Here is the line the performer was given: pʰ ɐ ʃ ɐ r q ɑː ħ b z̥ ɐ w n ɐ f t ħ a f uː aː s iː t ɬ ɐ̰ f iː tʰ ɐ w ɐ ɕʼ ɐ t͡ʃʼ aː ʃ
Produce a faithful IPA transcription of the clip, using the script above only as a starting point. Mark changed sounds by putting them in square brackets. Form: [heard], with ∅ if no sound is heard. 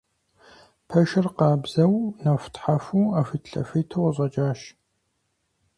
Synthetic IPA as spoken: pʰ ɐ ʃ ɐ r q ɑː [∅] b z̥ ɐ w n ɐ f t ħ a f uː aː [f] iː t ɬ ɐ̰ f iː tʰ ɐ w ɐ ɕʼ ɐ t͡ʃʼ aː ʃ